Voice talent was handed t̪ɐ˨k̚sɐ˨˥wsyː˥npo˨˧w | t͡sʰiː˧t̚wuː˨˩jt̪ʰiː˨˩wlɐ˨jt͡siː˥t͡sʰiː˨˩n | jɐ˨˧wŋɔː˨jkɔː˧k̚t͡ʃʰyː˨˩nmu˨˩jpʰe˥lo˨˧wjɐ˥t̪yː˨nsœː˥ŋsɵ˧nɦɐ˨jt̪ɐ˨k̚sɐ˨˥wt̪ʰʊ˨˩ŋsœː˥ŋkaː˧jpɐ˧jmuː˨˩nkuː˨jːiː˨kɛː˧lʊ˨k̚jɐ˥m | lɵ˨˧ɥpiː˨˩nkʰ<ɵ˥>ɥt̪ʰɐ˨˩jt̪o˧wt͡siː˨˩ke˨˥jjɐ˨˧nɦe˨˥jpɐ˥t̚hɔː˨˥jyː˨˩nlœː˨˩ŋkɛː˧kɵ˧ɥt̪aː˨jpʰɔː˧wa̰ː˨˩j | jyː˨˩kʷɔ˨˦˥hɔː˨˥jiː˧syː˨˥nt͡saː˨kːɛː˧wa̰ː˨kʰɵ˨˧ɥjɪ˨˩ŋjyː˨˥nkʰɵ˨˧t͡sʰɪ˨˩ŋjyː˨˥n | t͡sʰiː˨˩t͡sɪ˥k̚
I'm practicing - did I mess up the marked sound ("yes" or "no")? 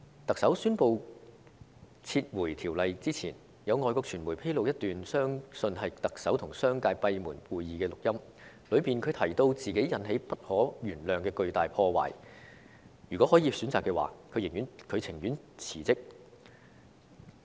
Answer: yes